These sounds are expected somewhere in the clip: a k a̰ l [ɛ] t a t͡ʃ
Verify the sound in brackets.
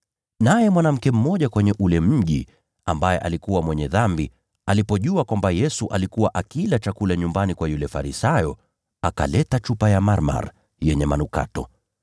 correct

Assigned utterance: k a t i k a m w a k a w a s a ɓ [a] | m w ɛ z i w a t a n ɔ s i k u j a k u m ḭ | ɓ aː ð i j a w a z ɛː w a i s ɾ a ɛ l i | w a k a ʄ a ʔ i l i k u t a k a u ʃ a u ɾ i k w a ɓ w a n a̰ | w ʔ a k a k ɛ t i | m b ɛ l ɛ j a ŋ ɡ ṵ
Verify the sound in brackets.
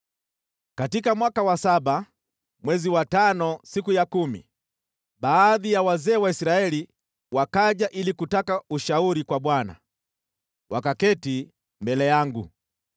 correct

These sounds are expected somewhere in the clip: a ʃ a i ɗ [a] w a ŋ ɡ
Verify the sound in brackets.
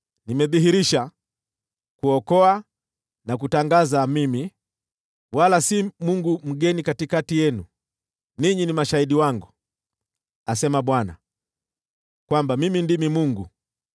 incorrect: i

